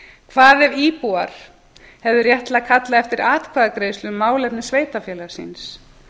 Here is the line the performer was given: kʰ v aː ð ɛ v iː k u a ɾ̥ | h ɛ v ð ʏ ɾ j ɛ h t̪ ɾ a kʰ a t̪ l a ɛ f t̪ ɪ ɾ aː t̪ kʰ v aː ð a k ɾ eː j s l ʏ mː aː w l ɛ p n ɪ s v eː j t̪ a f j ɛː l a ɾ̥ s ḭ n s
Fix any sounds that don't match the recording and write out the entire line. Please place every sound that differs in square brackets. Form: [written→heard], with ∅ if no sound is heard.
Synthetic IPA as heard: kʰ v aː ð ɛ v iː [k→p] u a ɾ̥ | h ɛ v ð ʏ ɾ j ɛ h t̪ [ɾ→l] a kʰ a t̪ l a ɛ f t̪ ɪ ɾ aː t̪ kʰ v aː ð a k ɾ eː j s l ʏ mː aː w l ɛ p n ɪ s v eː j t̪ a f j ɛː l a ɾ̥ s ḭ n s